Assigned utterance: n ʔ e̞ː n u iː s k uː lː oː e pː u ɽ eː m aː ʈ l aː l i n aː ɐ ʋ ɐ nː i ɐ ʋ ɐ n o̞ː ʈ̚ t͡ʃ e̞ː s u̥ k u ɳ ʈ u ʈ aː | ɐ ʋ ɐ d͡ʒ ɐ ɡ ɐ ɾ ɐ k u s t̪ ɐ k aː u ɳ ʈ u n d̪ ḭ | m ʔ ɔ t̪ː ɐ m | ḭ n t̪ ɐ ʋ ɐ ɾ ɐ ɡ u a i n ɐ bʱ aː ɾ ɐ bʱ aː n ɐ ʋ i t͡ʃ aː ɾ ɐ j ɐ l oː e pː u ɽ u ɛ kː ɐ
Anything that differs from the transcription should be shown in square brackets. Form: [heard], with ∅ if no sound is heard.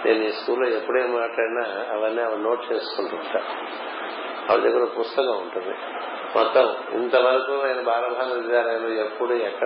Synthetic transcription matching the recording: n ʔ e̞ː n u iː s k uː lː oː e pː u ɽ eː m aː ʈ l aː [ɽ] i n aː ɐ ʋ ɐ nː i ɐ ʋ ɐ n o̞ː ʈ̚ t͡ʃ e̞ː s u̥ k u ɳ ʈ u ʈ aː | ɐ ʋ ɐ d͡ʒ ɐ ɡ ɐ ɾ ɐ [p] u s t̪ ɐ k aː u ɳ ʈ u n d̪ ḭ | m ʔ ɔ t̪ː ɐ m | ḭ n t̪ ɐ ʋ ɐ ɾ ɐ [k] u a [j] n ɐ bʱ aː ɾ ɐ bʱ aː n ɐ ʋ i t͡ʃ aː ɾ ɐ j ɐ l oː e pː u ɽ u ɛ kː ɐ